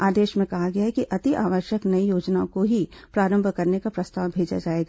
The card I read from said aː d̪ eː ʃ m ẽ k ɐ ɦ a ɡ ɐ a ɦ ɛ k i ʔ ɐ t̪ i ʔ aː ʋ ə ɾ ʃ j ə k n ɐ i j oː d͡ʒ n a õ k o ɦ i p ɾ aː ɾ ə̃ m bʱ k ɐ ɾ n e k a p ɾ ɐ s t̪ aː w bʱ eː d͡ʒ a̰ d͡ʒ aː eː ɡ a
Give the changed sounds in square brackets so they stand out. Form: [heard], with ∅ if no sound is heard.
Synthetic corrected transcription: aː d̪ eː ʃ m ẽ k ɐ ɦ a ɡ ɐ a ɦ ɛ k i ʔ ɐ t̪ i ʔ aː ʋ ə ɾ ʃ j ə k n ɐ i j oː d͡ʒ n a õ k o ɦ i p ɾ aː ɾ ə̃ m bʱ k ɐ ɾ n e k a p ɾ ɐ s t̪ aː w bʱ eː d͡ʒ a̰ d͡ʒ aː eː ɡ a